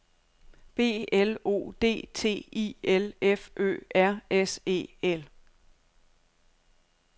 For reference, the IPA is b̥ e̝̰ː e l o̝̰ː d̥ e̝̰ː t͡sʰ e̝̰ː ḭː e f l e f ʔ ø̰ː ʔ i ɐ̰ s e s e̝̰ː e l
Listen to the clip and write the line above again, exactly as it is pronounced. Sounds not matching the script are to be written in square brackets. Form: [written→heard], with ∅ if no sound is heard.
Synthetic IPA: b̥ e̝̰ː e l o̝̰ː d̥ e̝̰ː t͡sʰ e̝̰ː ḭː e [f→∅] l e f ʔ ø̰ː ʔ [i→æ] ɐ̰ [s→∅] e s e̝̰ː e l